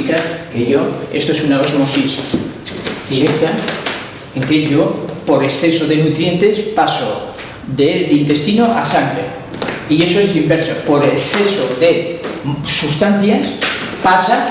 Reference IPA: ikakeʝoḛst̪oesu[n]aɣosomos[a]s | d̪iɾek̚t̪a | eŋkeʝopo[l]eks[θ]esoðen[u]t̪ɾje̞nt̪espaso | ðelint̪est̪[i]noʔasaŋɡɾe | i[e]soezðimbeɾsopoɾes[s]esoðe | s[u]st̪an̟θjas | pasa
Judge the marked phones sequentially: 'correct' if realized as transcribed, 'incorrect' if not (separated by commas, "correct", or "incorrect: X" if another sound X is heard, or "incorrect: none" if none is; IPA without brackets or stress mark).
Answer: correct, incorrect: i, incorrect: ɾ, correct, correct, correct, correct, incorrect: θ, correct